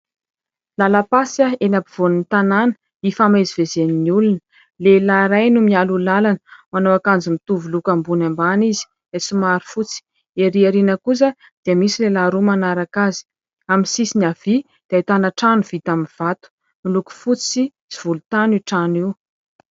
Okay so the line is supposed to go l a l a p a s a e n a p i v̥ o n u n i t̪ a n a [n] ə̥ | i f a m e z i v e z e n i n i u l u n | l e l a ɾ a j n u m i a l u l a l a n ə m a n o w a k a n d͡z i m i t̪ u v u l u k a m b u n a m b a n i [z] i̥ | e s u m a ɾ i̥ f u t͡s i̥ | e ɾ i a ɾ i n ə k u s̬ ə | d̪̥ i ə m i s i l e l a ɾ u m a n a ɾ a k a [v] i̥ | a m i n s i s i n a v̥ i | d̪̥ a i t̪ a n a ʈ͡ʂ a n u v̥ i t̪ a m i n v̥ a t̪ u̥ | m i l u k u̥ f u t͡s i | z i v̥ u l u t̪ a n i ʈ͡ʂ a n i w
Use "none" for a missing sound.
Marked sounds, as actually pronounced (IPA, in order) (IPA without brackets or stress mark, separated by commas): n, z, z